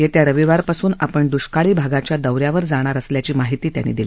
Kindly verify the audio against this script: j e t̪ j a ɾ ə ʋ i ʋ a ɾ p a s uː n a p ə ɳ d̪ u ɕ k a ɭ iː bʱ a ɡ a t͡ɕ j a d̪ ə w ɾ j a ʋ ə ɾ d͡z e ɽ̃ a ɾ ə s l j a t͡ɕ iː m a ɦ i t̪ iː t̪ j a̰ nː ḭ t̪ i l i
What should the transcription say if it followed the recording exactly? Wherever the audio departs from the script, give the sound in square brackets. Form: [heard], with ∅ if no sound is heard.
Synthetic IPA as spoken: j e t̪ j a ɾ ə ʋ i ʋ a ɾ p a s uː n a p ə ɳ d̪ u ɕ k a ɭ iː bʱ a ɡ a t͡ɕ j a d̪ ə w ɾ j a ʋ ə ɾ d͡z [a] ɽ̃ a ɾ ə s l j a t͡ɕ iː m a ɦ i t̪ iː t̪ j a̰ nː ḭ [d̪] i l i